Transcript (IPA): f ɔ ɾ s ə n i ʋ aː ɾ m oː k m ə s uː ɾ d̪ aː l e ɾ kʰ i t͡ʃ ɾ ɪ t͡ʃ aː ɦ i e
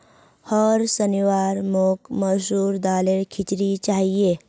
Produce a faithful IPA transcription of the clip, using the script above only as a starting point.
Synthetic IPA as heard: h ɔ ɾ s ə n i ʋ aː ɾ m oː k m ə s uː ɾ d̪ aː l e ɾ kʰ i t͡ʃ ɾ i t͡ʃ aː ɦ i e

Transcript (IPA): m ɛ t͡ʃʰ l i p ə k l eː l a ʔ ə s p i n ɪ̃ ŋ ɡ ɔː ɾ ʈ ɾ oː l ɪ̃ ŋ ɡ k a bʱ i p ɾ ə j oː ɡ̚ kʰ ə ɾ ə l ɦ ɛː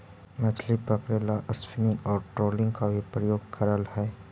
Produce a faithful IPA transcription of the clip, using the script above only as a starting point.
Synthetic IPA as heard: m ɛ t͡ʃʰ l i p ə k ɾ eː l a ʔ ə s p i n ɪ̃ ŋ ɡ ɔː ɾ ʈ ɾ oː l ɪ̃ ŋ ɡ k a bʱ i p ɾ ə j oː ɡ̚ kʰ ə ɾ ə l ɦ ɛː

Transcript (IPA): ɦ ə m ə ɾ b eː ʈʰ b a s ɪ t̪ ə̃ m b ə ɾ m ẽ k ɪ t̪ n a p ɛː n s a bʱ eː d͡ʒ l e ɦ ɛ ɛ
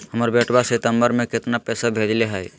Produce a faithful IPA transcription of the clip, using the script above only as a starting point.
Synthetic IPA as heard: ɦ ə m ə ɾ b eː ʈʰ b a s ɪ t̪ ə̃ m b ə ɾ m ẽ k ɪ t̪ n a p ɛː s a bʱ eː d͡ʒ l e ɦ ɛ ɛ

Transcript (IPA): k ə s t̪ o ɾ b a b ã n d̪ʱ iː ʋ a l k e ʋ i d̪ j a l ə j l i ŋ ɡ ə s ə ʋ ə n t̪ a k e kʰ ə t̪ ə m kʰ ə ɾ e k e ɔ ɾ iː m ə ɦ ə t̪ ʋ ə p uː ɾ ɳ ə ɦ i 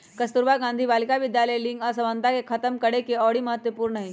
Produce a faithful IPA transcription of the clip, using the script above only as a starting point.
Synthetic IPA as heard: k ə s t̪ u ɾ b a ɡ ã n d̪ʱ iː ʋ a l k a ʋ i d̪ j a l ə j l i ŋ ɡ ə s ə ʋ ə n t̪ a k e kʰ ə t̪ ə m k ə ɽ e k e ɔ ɽ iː m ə ɦ ə t̪ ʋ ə p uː ɾ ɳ ə ɦ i

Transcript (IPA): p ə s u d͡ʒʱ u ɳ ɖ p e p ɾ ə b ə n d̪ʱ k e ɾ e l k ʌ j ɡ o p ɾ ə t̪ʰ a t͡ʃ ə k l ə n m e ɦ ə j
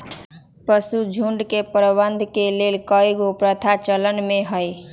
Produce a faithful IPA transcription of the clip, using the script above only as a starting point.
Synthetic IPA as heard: p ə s u d͡ʒʱ u ɳ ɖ k e p ɾ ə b ə n d̪ʱ k e l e l k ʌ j ɡ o p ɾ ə t̪ʰ a t͡ʃ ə l ə n m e ɦ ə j

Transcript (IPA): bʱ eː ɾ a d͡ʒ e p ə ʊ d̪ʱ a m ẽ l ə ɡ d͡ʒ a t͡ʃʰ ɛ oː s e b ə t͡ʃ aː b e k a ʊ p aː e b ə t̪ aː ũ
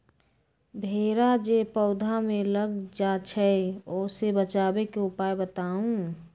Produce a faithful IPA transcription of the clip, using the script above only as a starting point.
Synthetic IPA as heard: bʱ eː ɾ a d͡ʒ e p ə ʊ d̪ʱ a m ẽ l ə ɡ d͡ʒ a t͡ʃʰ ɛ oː s e b ə t͡ʃ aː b e k e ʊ p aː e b ə t̪ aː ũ

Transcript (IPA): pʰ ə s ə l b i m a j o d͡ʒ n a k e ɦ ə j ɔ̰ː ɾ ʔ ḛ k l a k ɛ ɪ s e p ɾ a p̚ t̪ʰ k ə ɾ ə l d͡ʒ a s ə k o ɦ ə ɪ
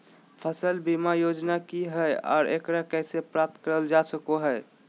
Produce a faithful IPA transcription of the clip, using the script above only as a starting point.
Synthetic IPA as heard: pʰ ə s ə l b i m a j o d͡ʒ n a k i ɦ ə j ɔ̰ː ɾ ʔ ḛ k ɾ a k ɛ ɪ s e p ɾ a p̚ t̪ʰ k ə ɾ ə l d͡ʒ a s ə k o ɦ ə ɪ

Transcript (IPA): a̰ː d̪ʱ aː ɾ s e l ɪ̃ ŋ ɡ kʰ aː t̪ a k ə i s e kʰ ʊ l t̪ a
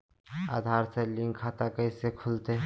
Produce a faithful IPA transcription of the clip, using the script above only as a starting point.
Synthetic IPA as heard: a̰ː d̪ʱ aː ɾ s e l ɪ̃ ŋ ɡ kʰ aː t̪ a k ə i s e kʰ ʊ l t̪ e

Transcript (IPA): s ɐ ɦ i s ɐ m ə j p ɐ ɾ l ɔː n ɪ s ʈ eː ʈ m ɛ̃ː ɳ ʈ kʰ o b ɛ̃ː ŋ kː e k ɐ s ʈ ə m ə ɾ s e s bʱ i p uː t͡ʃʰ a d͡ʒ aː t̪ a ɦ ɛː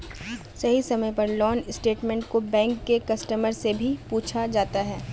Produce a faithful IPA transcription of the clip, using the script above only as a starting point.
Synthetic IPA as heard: s ɐ ɦ i s ɐ m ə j p ɐ ɾ l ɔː n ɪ s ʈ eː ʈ m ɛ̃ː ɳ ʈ k o b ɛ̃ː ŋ kː e k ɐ s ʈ ə m ə ɾ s e bʱ i p uː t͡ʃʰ a d͡ʒ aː t̪ a ɦ ɛː

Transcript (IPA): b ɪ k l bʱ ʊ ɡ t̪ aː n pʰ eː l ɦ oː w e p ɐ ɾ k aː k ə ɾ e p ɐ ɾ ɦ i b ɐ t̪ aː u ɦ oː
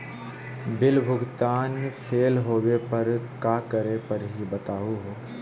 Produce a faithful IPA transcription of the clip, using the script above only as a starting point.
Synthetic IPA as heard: b ɪ l bʱ ʊ ɡ t̪ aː n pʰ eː l ɦ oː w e p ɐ ɾ k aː k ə ɾ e p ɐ ɾ ɦ i b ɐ t̪ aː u ɦ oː

